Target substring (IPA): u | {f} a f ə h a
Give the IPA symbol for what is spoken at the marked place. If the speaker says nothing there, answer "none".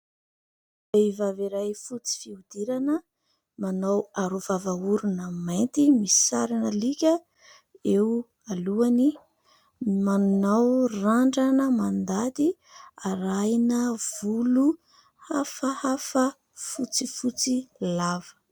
h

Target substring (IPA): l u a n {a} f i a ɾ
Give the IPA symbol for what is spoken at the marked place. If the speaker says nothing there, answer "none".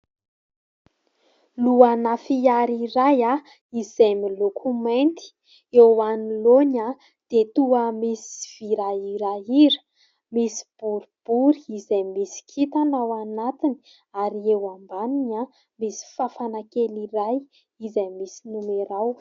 a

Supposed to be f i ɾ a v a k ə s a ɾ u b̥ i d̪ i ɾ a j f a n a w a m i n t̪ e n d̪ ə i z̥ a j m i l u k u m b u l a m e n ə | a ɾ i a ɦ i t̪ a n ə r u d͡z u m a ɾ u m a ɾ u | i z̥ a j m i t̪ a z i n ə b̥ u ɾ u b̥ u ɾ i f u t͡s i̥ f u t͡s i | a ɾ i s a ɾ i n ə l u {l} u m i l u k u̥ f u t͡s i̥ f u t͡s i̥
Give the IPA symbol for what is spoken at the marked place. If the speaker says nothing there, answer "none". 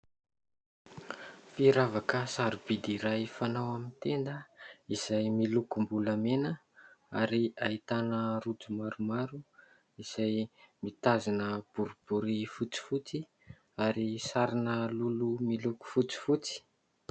l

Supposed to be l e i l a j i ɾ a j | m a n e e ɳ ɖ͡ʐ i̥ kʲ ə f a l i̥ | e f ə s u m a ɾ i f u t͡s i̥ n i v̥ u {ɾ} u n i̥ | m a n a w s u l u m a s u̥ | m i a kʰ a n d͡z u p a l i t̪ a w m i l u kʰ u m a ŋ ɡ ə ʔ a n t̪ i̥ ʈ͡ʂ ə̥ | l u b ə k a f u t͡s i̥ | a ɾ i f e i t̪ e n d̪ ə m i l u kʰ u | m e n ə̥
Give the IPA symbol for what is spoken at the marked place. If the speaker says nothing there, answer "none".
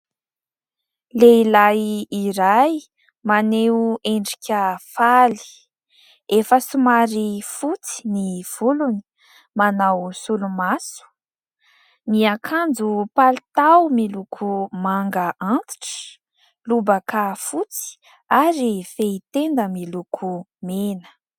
l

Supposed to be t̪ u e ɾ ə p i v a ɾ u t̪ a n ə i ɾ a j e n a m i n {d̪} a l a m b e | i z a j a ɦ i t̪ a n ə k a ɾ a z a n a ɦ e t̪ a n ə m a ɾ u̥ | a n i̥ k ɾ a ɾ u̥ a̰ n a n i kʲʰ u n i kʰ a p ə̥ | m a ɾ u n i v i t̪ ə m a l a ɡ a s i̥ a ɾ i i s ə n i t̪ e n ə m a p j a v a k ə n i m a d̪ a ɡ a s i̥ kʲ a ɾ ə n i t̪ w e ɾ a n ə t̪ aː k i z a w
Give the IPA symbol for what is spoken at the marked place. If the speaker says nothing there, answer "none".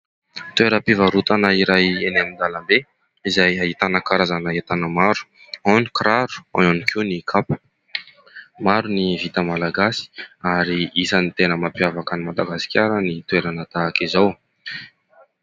d̪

